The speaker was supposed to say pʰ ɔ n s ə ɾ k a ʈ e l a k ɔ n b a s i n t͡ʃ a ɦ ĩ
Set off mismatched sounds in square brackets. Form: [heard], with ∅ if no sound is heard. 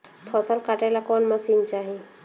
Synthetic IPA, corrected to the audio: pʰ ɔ [∅] s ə [l] k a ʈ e l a k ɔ n [m] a s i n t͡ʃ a ɦ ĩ

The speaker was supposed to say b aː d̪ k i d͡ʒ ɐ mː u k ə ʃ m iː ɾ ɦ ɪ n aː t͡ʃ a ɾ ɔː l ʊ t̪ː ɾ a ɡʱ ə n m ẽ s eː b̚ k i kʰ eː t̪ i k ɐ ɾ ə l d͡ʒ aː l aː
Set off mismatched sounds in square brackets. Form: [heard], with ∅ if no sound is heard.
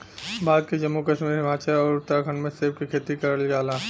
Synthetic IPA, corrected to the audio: b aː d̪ k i d͡ʒ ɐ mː u k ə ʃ m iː ɾ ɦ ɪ [m] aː t͡ʃ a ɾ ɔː [ɾ] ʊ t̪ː ɾ a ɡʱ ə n m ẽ s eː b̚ k i kʰ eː t̪ i k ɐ ɾ ə l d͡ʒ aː l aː

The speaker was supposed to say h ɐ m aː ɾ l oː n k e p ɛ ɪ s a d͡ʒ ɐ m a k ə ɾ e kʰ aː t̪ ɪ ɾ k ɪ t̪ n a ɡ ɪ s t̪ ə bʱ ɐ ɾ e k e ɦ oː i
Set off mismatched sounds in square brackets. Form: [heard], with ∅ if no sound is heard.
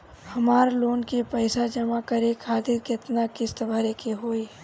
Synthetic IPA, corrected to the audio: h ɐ m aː ɾ l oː n k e p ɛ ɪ s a d͡ʒ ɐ m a k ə ɾ e kʰ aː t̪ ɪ ɾ k ɪ t̪ n a [k] ɪ s t̪ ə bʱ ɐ ɾ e k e ɦ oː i

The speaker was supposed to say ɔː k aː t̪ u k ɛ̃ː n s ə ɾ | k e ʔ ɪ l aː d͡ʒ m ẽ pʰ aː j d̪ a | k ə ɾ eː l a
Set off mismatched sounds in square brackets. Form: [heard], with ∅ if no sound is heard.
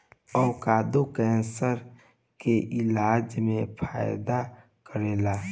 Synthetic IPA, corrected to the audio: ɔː k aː [d̪] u k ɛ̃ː n s ə ɾ | k e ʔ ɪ l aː d͡ʒ m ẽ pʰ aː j d̪ a | k ə ɾ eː l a

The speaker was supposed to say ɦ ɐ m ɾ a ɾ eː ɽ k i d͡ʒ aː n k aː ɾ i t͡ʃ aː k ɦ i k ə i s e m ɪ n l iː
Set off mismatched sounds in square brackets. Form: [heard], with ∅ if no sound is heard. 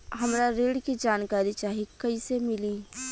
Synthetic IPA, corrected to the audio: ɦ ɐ m ɾ a ɾ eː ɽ k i d͡ʒ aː n k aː ɾ i t͡ʃ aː [∅] ɦ i k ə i s e m ɪ [∅] l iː

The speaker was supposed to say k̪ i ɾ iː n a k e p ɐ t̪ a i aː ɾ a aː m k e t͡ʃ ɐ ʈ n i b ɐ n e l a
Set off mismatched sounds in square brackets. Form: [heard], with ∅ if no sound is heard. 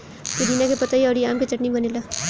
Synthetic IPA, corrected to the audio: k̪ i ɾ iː n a k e p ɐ t̪ a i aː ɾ [i] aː m k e t͡ʃ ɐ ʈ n i b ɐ n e l a

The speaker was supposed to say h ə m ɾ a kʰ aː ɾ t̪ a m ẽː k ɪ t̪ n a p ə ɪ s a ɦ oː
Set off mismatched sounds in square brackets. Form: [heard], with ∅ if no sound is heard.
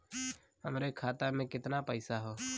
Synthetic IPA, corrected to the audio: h ə m ɾ [e] kʰ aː [∅] t̪ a m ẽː k ɪ t̪ n a p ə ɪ s a ɦ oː

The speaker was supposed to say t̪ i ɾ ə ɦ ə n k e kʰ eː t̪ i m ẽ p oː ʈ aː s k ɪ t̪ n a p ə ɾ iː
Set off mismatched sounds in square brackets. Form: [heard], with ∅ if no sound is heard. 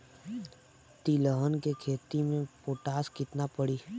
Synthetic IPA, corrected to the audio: t̪ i [l] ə ɦ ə n k e kʰ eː t̪ i m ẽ p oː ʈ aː s k ɪ t̪ n a p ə [ɽ] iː

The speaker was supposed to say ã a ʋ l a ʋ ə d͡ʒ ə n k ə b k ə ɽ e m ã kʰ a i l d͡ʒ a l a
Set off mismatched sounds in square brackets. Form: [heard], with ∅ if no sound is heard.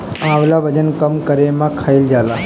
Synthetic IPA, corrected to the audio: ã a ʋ l a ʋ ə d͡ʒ ə n k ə [m] k ə [ɾ] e m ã kʰ a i l d͡ʒ a l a

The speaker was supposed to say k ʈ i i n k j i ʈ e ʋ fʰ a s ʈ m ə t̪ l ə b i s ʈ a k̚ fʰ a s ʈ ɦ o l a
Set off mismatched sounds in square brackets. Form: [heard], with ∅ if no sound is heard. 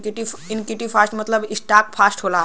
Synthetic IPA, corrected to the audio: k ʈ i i n k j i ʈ [i] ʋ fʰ a s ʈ m ə t̪ l ə b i s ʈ a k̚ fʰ a s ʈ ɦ o l a

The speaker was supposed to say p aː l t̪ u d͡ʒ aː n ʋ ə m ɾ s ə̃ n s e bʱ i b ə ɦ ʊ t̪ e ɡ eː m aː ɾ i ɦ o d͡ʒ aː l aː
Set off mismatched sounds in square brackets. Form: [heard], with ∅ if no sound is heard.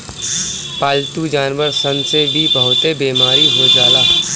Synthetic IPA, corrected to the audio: p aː l t̪ u d͡ʒ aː n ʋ ə [∅] ɾ s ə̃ n s e bʱ i b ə ɦ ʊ t̪ e [b] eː m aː ɾ i ɦ o d͡ʒ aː l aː

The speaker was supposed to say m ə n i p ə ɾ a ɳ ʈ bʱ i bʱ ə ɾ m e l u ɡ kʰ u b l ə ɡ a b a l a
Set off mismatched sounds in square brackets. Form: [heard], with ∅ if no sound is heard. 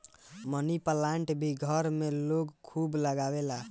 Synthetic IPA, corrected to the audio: m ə n i p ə [l] a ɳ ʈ bʱ i [ɡʱ] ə ɾ m e l [o] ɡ kʰ u b l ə ɡ a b [e] l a

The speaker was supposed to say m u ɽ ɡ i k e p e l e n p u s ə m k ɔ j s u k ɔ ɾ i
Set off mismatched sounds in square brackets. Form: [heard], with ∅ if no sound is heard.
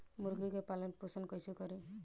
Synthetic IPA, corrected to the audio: m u [ɾ] ɡ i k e p [a] l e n p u s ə [n] k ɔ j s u k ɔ ɾ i

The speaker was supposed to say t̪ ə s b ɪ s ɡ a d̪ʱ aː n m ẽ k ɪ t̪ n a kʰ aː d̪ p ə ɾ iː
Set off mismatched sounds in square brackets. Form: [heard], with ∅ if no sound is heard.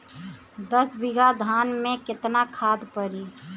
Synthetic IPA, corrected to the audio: [d̪] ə s b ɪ [∅] ɡ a d̪ʱ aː n m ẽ k ɪ t̪ n a kʰ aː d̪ p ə ɾ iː

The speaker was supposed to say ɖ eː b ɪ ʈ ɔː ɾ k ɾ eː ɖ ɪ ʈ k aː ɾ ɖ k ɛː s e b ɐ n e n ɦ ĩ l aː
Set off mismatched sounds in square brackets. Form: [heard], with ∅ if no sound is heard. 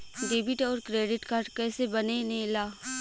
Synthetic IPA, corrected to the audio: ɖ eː b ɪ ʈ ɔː ɾ k ɾ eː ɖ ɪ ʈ k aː ɾ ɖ k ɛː s e b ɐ n e n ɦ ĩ l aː

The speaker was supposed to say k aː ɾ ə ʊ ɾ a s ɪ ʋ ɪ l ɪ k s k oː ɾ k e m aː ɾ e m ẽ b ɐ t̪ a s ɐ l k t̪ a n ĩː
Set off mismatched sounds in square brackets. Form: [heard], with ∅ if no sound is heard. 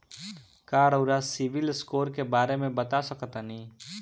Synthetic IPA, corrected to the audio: k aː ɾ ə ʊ ɾ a s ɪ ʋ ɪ l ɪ [∅] s k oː ɾ k e [b] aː ɾ e m ẽ b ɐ t̪ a s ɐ [∅] k t̪ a n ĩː

